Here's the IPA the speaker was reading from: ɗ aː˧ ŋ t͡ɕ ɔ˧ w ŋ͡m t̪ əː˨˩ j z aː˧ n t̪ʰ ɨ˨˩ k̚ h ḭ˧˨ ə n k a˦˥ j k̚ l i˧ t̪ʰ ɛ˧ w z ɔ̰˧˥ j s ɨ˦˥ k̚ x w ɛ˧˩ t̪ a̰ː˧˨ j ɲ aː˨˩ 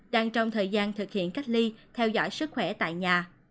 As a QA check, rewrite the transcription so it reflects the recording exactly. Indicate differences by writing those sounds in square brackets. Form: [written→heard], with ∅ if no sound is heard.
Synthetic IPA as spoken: ɗ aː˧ ŋ t͡ɕ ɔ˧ w ŋ͡m [t̪→t̪ʰ] əː˨˩ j z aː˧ n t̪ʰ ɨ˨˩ k̚ h ḭ˧˨ ə n k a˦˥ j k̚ l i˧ t̪ʰ ɛ˧ w z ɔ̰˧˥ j s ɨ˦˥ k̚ x w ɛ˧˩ t̪ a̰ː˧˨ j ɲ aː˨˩

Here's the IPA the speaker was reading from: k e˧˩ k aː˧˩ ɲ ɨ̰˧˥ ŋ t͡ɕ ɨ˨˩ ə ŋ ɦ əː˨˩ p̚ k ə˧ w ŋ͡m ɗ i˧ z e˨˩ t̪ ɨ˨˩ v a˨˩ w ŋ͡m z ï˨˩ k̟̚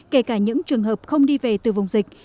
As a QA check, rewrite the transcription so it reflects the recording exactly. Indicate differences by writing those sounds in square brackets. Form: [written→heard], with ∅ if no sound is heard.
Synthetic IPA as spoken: k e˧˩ k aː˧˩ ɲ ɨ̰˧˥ ŋ t͡ɕ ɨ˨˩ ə ŋ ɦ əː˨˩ p̚ [k→x] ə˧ w ŋ͡m ɗ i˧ [z→v] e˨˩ t̪ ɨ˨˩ v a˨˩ w ŋ͡m z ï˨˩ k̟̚

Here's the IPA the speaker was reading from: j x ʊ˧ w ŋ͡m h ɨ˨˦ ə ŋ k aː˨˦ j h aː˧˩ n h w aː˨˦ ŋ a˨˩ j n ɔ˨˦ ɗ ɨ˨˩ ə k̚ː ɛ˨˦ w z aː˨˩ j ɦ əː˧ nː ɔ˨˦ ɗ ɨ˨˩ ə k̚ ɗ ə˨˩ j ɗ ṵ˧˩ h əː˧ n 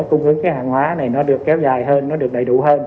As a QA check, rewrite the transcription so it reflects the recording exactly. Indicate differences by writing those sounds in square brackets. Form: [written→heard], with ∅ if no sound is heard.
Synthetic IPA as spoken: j [x→k] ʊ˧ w ŋ͡m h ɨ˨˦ ə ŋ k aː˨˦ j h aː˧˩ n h w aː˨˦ [ŋ→n] a˨˩ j n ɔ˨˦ ɗ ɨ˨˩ ə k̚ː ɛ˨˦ w z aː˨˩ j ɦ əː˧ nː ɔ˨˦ ɗ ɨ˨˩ ə k̚ ɗ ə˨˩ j ɗ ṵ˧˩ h əː˧ n

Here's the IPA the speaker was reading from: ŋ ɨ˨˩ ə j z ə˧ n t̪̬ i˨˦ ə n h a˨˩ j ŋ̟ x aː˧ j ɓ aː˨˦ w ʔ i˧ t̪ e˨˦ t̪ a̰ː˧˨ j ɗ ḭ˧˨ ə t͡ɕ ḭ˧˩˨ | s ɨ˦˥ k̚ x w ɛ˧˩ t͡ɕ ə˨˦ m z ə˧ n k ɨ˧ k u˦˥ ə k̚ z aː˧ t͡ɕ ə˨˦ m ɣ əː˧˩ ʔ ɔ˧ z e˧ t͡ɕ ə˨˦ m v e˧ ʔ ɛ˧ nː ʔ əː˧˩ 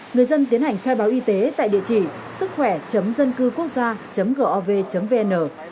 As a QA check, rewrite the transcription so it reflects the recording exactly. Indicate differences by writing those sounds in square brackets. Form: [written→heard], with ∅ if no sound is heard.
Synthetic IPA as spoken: ŋ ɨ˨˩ ə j z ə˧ n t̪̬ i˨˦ ə n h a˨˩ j ŋ̟ x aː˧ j ɓ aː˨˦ w ʔ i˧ t̪ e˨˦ t̪ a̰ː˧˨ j ɗ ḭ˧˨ ə t͡ɕ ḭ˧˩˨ | s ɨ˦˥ k̚ x w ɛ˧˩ t͡ɕ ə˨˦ m z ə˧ n k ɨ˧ k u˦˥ ə k̚ z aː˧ t͡ɕ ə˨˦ m ɣ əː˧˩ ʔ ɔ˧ [z→v] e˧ t͡ɕ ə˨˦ m v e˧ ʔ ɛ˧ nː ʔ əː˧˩

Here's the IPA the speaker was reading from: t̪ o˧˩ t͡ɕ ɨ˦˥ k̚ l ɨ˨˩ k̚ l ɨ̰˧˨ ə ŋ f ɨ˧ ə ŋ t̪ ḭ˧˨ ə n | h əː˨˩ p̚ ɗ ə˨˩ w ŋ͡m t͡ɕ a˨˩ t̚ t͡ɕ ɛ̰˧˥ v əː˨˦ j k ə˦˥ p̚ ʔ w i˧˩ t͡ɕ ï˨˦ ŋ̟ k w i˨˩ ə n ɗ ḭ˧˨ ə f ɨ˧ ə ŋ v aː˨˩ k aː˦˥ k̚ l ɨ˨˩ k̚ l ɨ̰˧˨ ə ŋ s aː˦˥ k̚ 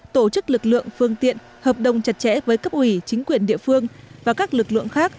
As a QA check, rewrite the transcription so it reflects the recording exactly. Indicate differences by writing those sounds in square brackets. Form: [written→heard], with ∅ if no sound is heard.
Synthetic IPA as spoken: t̪ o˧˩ t͡ɕ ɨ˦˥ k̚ l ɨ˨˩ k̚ l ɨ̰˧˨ ə ŋ f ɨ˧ ə ŋ t̪ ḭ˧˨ ə n | h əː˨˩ p̚ ɗ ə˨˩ w ŋ͡m t͡ɕ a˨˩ t̚ t͡ɕ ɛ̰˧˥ v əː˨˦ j k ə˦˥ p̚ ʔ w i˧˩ t͡ɕ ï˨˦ ŋ̟ k w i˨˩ ə n ɗ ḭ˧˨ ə f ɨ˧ ə ŋ v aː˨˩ k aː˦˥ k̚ l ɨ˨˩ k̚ l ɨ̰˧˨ ə ŋ [s→x] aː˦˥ k̚

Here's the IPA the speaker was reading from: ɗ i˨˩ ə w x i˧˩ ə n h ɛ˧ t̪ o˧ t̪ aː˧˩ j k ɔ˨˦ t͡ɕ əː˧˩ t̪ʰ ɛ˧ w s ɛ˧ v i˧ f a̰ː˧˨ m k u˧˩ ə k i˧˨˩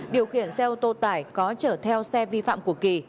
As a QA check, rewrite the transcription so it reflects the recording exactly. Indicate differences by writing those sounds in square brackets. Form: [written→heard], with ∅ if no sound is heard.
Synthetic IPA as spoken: ɗ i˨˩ ə w x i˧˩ ə n [h→s] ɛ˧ t̪ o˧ t̪ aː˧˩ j k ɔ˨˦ t͡ɕ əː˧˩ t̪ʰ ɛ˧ w s ɛ˧ v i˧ f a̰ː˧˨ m k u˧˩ ə k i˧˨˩

